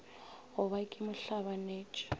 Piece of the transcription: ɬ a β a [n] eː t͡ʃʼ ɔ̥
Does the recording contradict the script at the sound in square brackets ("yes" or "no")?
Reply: no